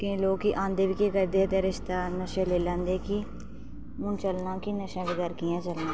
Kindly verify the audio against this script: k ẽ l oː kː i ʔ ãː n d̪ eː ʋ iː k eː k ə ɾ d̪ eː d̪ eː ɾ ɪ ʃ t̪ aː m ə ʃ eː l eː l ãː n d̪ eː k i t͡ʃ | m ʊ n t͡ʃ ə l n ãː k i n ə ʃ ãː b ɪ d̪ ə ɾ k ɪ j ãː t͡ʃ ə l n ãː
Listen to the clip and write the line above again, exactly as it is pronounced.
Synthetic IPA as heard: k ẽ l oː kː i ʔ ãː n d̪ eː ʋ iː k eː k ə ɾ d̪ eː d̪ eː ɾ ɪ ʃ t̪ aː n ə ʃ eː l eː l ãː n d̪ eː k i | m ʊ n t͡ʃ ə l n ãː k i n ə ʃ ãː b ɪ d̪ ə ɾ k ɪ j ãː t͡ʃ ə l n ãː